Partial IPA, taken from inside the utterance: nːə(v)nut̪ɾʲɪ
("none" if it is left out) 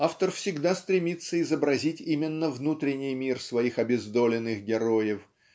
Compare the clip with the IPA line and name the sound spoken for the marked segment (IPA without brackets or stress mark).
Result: v